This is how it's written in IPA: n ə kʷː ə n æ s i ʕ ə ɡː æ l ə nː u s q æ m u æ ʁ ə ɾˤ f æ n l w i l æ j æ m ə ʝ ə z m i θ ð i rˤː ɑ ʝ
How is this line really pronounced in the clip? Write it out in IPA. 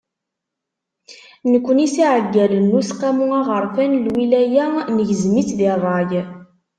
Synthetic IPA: n ə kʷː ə n i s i ʕ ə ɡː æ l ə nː u s q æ m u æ ʁ ə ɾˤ f æ n l w i l æ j æ n ə ʝ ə z m i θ ð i rˤː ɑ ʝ